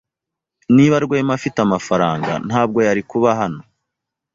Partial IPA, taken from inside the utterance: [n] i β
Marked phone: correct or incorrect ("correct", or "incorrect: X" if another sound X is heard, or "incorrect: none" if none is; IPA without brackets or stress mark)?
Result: correct